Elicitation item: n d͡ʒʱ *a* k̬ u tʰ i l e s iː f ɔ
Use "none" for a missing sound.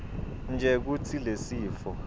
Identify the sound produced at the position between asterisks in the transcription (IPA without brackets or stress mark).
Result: ɛ